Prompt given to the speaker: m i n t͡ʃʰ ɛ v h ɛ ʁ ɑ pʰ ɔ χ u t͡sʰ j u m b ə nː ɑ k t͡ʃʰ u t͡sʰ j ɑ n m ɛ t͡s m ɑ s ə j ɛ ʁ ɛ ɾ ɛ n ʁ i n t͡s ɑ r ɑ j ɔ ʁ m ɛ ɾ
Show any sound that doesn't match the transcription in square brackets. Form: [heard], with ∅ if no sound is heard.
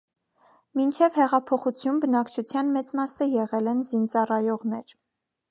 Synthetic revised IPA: m i n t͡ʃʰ ɛ v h ɛ ʁ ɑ pʰ ɔ χ u t͡sʰ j u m b ə [n] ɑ k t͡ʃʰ u t͡sʰ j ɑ n m ɛ t͡s m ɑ s ə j ɛ ʁ ɛ [l] ɛ n [z] i n t͡s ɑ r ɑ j ɔ ʁ [n] ɛ ɾ